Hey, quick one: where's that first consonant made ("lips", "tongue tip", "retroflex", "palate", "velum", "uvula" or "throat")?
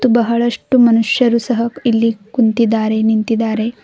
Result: lips